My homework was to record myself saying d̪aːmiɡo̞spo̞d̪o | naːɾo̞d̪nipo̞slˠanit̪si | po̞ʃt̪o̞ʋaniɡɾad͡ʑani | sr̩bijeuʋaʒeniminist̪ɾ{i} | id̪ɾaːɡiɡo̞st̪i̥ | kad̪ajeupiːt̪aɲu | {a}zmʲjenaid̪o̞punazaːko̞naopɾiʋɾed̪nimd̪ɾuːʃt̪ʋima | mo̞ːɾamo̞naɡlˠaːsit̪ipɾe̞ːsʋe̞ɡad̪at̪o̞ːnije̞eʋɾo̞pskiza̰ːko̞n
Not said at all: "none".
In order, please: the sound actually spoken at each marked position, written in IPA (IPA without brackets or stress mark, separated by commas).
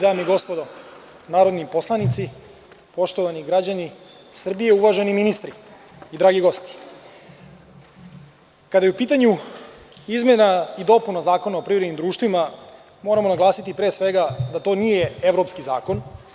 i, i